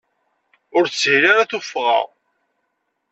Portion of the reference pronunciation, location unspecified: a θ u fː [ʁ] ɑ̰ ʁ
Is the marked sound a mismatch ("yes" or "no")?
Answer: no